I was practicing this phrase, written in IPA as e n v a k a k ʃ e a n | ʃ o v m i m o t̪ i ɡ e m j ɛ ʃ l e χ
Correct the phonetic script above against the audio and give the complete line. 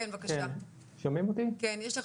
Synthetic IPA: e n v a k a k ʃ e a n | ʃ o m i m o t̪ i k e n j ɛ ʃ l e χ